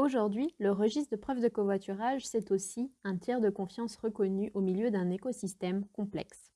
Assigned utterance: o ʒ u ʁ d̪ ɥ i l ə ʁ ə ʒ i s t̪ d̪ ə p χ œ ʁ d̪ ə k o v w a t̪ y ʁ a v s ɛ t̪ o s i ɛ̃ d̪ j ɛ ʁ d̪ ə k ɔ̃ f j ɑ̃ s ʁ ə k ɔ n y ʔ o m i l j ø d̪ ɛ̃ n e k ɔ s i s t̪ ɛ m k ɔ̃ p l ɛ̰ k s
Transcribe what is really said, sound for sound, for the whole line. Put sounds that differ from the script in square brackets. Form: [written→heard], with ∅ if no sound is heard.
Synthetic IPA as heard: o ʒ u ʁ d̪ ɥ i l ə ʁ ə ʒ i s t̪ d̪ ə p χ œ [ʁ→v] d̪ ə k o v w a t̪ y ʁ a [v→ʒ] s ɛ t̪ o s i ɛ̃ [d̪→t̪] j ɛ ʁ d̪ ə k ɔ̃ f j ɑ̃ s ʁ ə k ɔ n y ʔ o m i l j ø d̪ ɛ̃ n e k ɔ s i s t̪ ɛ m k ɔ̃ p l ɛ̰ k s